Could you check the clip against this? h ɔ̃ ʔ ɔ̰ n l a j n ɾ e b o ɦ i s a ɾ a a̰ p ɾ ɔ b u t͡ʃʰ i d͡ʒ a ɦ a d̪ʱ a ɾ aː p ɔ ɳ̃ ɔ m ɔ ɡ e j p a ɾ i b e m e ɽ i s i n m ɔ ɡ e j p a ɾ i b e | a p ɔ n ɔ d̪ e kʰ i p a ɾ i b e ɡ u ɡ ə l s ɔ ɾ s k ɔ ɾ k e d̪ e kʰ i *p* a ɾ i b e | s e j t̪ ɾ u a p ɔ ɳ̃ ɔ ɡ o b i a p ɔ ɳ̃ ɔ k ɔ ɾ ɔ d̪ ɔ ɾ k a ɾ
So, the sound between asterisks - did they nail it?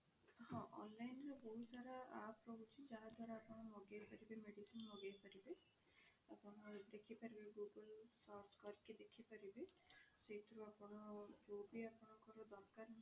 yes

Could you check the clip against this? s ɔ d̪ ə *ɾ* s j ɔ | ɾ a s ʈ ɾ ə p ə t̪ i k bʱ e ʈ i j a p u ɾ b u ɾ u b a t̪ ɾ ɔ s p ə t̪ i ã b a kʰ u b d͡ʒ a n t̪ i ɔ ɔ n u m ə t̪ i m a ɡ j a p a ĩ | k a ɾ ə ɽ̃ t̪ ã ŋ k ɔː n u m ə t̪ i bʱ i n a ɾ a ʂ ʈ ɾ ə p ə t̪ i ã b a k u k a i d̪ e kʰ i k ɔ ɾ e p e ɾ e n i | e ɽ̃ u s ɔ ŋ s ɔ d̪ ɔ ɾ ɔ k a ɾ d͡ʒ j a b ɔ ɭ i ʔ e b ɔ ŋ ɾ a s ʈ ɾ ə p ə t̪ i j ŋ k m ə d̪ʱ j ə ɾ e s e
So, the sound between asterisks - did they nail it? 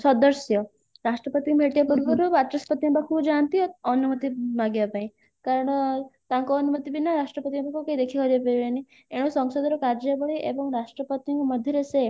yes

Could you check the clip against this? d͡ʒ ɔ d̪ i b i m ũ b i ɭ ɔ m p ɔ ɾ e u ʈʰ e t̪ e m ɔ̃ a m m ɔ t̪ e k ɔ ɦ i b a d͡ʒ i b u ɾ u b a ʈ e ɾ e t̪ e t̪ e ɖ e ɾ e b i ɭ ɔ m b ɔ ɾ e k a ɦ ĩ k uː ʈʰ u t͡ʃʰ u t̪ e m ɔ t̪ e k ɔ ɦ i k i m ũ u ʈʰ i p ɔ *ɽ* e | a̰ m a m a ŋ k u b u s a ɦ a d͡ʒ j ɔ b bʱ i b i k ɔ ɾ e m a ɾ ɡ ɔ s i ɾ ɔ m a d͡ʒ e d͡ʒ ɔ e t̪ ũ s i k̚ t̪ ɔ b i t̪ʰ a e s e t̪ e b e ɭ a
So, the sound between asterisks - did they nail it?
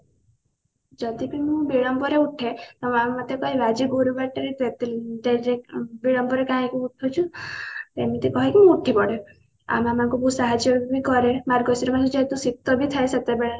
yes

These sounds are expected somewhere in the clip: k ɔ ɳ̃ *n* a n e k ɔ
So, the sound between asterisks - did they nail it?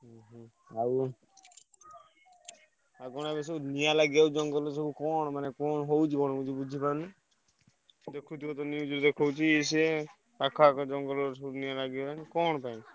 no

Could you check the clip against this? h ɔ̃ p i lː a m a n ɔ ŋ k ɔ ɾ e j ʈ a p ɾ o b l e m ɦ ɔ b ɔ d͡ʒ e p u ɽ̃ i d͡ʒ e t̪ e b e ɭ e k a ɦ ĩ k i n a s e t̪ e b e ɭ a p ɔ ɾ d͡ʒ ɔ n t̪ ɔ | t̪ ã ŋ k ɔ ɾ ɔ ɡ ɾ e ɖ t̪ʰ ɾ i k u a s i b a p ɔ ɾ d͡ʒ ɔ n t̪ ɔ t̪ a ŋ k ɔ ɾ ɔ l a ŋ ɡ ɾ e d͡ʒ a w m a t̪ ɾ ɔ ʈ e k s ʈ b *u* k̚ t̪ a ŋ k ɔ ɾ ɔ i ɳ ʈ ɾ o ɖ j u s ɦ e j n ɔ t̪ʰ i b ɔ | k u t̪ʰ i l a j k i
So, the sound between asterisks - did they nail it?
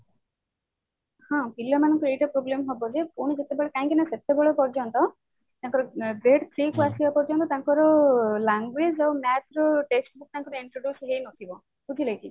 yes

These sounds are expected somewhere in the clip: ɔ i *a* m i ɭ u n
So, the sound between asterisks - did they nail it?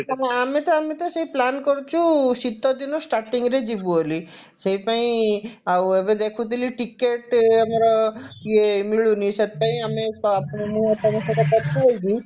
no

